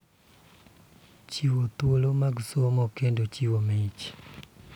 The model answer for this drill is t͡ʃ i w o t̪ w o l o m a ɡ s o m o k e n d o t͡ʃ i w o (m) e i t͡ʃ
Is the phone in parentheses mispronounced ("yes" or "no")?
no